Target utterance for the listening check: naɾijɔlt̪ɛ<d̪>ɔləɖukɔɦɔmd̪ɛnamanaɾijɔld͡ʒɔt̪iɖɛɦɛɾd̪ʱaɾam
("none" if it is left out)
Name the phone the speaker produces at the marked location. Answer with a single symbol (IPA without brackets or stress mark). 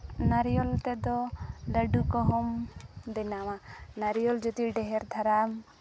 d̪